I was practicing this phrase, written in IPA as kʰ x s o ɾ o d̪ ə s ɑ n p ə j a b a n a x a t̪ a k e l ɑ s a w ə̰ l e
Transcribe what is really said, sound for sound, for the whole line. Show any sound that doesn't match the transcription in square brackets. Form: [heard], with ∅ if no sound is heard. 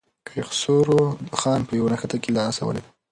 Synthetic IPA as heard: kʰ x s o ɾ o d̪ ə [x] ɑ n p ə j a [w] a n a x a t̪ a k e l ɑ s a w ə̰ l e